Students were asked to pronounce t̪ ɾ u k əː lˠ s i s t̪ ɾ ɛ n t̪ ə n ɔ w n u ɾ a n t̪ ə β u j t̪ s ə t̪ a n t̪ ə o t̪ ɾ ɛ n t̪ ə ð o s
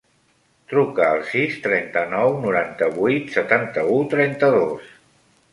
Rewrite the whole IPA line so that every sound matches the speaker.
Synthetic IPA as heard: t̪ ɾ u k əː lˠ s i s t̪ ɾ ɛ n t̪ ə n ɔ w n u ɾ a n t̪ ə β u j t̪ s ə t̪ a n t̪ ə u t̪ ɾ ɛ n t̪ ə ð o s